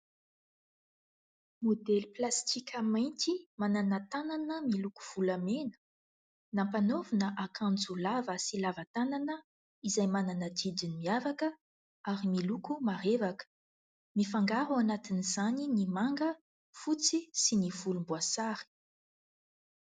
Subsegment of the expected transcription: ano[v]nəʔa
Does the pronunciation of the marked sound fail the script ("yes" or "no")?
no